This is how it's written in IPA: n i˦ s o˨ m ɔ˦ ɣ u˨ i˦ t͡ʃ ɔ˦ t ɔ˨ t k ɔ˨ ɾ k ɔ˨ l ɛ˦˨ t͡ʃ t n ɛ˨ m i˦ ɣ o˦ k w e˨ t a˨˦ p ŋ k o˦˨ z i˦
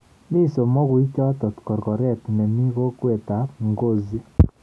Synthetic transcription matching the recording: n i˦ s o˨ m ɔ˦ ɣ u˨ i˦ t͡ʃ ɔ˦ t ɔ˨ t k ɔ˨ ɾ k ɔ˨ ɾ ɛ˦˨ t n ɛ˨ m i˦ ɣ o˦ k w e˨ t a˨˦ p ŋ ɡ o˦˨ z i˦